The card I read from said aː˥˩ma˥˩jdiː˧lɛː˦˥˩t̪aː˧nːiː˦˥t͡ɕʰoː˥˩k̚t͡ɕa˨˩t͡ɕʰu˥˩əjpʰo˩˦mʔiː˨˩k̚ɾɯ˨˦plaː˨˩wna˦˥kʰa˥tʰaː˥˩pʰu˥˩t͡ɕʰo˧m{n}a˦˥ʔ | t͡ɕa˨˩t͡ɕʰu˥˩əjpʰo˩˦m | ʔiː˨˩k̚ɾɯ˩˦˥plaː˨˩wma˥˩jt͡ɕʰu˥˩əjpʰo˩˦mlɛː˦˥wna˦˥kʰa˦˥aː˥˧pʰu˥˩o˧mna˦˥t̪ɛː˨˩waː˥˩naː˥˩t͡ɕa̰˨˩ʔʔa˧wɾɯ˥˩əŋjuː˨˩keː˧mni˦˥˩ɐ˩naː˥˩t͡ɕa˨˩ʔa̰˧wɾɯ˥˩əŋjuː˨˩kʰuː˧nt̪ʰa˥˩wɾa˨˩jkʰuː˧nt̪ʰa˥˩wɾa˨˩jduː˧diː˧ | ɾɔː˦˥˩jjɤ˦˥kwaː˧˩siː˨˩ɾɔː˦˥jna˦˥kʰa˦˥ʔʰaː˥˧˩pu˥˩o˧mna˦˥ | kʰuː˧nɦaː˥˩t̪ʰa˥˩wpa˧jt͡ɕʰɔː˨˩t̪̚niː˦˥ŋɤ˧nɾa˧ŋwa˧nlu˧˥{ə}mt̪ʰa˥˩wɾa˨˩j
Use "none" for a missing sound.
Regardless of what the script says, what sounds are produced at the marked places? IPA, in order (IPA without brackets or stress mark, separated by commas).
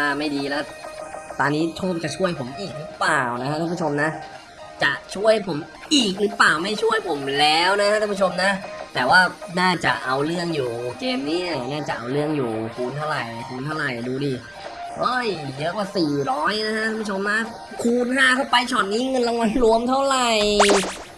n, ə